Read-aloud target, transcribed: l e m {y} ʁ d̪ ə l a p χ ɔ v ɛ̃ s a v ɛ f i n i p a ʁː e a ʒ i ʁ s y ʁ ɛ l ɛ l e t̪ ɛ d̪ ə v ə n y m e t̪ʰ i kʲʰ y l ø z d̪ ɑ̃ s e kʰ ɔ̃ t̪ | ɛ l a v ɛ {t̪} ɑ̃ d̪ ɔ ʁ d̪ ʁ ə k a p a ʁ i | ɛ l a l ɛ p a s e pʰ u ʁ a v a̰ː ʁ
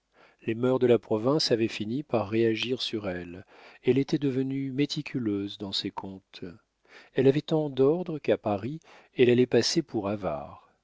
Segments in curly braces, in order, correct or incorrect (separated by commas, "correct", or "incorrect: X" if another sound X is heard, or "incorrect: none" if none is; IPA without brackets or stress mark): incorrect: œ, correct